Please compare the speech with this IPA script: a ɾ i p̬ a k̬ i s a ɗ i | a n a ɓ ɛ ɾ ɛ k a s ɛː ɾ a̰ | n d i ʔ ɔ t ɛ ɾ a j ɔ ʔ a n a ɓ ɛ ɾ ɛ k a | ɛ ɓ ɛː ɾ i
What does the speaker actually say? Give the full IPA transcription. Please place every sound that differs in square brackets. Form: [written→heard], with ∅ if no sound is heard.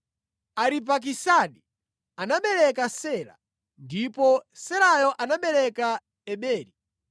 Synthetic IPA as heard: a ɾ i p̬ a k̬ i s a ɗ i | a n a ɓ ɛ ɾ ɛ k a s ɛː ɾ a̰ | n d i [ʔ→p] ɔ [t→s] ɛ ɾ a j ɔ ʔ a n a ɓ ɛ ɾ ɛ k a | ɛ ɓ ɛː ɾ i